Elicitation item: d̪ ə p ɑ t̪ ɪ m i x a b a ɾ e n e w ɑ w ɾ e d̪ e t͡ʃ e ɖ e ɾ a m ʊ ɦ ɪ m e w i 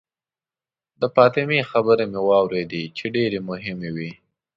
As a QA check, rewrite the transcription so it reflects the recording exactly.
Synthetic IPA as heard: d̪ ə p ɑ t̪ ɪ m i x a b ə ɾ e m e w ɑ w ɾ e d̪ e t͡ʃ e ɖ e ɾ e m ʊ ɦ ɪ m e w i